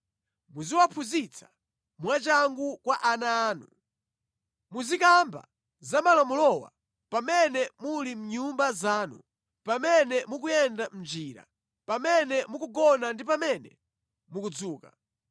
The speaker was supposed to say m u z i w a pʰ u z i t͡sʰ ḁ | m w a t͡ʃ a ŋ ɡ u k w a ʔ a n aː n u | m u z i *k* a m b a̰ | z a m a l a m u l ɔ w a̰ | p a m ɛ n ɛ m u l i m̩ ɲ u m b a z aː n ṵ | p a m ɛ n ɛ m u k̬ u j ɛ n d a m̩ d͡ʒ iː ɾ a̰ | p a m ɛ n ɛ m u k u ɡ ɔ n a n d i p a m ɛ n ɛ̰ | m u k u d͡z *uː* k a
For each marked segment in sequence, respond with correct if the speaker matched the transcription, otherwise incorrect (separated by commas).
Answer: correct, correct